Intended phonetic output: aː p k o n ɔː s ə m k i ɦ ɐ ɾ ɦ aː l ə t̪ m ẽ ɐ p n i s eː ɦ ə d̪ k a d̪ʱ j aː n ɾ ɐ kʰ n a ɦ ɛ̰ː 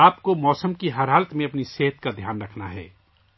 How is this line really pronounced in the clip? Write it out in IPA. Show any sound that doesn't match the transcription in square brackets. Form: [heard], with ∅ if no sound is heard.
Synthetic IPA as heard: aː p k o [m] ɔː s ə m k i ɦ ɐ ɾ ɦ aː l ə t̪ m ẽ ɐ p n i s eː ɦ ə [t̪] k a d̪ʱ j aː n ɾ ɐ kʰ n a ɦ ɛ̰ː